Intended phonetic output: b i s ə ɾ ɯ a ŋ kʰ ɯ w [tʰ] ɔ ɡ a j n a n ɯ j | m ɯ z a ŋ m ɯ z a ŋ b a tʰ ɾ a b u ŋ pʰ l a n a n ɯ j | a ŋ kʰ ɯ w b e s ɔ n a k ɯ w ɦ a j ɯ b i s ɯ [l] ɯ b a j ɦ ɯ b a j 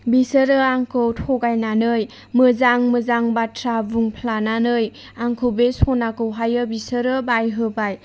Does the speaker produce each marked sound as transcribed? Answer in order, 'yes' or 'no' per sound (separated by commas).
yes, no